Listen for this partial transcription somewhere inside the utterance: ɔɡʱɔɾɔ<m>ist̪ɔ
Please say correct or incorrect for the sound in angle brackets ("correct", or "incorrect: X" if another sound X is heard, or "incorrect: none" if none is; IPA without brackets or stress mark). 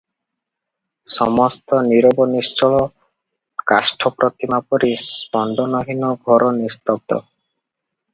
incorrect: n